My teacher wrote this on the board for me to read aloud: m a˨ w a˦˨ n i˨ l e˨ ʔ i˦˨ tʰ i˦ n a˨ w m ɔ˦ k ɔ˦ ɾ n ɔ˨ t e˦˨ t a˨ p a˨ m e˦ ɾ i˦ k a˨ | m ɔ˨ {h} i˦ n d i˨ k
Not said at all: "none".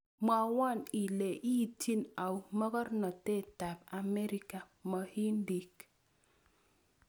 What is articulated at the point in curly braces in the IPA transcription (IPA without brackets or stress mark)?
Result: h